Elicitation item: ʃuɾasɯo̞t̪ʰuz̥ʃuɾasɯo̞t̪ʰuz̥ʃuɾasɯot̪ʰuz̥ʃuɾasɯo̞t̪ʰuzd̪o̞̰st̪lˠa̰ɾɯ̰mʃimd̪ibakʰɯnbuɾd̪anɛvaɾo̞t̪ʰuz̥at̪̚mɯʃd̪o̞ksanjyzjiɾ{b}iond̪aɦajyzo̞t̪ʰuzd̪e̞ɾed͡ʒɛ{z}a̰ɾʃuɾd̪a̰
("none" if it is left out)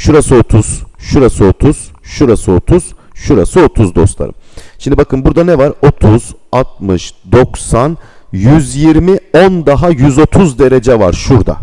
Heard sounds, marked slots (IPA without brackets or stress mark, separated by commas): m, v